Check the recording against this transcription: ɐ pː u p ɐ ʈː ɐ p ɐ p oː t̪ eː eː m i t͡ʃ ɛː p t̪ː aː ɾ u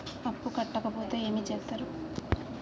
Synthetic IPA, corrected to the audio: ɐ pː u k ɐ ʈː ɐ k ɐ p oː t̪ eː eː m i t͡ʃ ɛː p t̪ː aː ɾ u